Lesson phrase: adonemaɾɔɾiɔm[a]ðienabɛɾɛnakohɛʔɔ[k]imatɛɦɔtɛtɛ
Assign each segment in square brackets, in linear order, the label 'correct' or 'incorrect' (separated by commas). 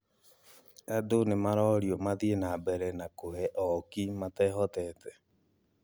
correct, correct